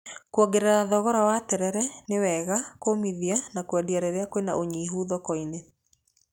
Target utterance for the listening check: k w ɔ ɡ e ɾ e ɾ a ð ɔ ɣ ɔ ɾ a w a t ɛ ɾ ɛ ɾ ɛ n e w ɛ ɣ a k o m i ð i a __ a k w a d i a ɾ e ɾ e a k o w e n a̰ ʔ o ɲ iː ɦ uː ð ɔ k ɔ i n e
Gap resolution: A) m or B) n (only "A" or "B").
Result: B